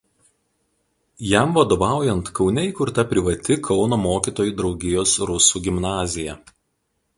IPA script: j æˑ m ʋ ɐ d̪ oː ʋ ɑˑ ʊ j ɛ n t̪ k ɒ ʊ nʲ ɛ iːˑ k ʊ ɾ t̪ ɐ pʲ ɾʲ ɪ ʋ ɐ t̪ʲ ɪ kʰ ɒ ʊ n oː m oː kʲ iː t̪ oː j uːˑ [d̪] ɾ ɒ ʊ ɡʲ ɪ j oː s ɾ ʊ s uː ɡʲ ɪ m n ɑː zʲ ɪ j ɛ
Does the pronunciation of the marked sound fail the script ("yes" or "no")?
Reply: no